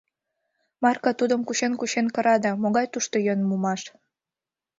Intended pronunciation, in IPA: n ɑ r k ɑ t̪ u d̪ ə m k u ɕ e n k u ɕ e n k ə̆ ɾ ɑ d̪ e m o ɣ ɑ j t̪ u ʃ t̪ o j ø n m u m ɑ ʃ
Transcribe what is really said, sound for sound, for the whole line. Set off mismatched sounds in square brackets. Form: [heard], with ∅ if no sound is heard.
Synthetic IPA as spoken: [m] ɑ r k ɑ t̪ u d̪ ə m k u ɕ e n k u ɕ e n k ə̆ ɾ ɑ d̪ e m o ɣ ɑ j t̪ u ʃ t̪ o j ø n m u m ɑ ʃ